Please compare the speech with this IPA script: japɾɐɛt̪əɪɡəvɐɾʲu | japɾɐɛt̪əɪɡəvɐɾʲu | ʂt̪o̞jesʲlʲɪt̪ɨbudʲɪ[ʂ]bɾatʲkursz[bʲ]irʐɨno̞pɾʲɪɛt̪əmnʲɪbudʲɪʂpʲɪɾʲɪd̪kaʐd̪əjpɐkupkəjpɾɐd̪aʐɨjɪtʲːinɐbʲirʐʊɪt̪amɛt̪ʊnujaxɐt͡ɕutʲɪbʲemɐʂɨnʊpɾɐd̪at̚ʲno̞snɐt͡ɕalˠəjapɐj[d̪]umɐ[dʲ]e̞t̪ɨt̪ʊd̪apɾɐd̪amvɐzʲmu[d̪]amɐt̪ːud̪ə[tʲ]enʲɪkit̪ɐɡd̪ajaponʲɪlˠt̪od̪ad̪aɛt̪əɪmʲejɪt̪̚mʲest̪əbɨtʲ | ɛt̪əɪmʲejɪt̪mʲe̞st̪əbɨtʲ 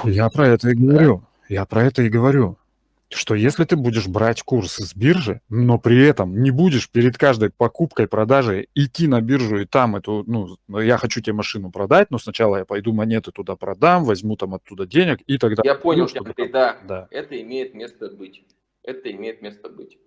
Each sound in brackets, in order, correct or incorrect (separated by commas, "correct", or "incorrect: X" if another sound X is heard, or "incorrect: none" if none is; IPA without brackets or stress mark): correct, correct, correct, incorrect: nʲ, incorrect: t̪, incorrect: dʲ